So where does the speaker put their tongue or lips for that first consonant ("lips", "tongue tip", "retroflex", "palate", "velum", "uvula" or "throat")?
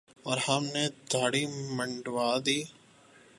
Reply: tongue tip